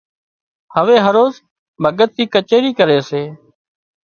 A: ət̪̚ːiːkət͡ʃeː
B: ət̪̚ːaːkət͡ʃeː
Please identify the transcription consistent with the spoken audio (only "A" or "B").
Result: A